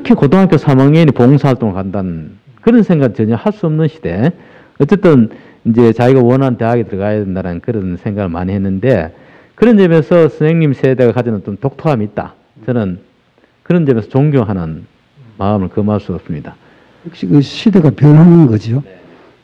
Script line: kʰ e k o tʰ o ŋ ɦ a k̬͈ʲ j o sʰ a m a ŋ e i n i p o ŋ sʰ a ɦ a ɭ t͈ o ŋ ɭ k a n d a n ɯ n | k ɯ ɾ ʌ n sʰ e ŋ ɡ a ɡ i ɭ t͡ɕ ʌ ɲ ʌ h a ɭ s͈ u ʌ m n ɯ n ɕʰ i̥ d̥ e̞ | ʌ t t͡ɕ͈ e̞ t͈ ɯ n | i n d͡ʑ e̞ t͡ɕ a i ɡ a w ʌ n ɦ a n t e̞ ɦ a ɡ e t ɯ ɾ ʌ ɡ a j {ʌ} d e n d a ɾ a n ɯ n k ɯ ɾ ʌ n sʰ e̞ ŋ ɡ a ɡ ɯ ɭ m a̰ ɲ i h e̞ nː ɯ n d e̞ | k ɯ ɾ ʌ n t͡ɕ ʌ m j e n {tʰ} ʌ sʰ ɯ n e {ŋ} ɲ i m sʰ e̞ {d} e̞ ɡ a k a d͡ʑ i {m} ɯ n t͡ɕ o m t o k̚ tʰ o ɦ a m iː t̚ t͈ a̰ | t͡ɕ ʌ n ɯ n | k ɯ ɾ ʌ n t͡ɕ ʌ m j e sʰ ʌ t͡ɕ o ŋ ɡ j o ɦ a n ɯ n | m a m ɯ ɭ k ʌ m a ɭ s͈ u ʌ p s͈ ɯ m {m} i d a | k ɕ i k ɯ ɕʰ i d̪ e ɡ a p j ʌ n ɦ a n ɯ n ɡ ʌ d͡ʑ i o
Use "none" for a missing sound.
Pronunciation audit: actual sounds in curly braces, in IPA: a, sʰ, ŋ, d, n, ɲ

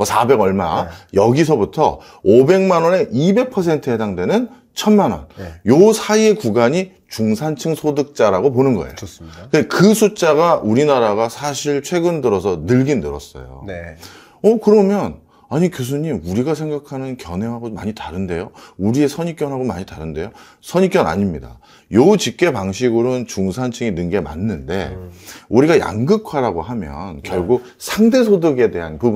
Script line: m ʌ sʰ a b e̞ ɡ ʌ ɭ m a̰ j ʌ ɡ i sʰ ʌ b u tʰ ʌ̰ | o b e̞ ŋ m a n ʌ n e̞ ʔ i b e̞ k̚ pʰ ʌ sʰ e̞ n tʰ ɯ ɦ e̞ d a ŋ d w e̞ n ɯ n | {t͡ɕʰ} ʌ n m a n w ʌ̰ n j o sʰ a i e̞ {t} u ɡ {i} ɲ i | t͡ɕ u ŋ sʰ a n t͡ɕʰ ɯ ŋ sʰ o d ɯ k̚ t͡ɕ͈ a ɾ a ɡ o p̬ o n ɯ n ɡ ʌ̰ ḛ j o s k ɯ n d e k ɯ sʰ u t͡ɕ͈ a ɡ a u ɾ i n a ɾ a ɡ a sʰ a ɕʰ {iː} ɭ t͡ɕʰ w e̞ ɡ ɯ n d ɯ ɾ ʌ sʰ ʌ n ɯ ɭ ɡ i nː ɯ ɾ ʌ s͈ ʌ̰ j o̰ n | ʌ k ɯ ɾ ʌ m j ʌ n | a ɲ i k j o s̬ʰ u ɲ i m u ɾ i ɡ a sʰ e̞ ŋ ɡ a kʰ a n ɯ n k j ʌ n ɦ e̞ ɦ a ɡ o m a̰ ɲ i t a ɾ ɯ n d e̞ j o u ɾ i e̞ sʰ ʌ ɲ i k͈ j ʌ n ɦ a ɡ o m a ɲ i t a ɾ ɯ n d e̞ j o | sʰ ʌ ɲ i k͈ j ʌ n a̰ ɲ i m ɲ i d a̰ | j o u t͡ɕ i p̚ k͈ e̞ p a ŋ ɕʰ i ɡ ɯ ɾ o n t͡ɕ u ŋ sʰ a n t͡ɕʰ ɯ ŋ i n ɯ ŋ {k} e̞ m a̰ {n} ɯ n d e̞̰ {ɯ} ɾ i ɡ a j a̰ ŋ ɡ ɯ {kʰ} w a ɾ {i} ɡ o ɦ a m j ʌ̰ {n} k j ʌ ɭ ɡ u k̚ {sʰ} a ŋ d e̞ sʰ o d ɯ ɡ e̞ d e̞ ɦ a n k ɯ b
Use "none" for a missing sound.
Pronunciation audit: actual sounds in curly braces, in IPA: t͡ɕʰ, k, a, i, ɡ, nː, u, kʰ, a, n, sʰ

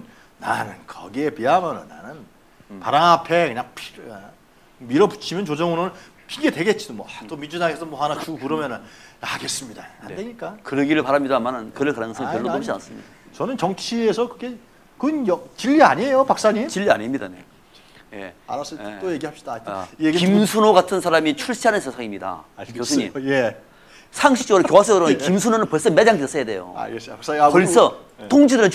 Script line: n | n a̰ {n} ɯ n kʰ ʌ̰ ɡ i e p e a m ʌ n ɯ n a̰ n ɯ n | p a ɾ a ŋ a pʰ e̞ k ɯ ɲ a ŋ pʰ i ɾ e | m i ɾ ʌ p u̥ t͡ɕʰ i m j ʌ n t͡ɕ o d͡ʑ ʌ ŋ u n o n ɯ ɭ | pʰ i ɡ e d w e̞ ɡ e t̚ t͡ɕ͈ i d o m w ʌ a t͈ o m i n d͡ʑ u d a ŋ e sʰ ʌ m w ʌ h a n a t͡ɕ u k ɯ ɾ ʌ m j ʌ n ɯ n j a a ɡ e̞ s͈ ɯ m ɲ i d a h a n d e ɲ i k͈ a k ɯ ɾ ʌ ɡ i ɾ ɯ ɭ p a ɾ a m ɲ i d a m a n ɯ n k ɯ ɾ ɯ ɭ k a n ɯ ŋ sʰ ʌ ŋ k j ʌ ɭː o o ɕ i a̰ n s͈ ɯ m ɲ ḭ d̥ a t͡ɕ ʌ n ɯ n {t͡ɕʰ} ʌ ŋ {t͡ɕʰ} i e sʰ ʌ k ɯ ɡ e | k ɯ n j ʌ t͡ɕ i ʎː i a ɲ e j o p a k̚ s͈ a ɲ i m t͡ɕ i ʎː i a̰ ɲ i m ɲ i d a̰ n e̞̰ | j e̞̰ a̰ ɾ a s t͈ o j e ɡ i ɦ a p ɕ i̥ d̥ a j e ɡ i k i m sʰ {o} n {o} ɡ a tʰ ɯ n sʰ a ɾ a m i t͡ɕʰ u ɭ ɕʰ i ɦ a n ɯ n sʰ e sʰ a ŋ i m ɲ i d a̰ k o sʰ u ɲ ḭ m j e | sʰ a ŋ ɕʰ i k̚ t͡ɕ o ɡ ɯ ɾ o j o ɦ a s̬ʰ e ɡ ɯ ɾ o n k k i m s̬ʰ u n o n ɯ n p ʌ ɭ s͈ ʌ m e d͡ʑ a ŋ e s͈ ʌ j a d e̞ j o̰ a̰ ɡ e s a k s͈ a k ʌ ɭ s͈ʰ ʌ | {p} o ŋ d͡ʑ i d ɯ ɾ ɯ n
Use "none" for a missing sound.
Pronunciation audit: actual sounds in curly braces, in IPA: n, t͡ɕ, t͡ɕʰ, u, o, t

